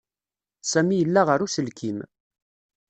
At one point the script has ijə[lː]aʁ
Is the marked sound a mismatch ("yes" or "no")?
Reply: no